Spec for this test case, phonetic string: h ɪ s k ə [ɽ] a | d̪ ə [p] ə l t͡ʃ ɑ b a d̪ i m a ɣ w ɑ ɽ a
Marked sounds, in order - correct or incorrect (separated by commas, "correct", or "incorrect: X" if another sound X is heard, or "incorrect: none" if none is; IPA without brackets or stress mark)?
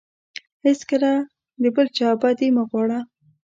incorrect: l, incorrect: b